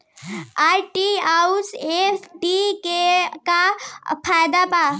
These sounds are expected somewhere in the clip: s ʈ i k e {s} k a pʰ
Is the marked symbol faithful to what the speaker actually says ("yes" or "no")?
no